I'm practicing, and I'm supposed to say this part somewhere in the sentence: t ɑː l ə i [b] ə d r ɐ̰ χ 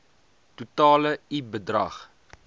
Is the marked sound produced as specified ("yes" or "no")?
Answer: yes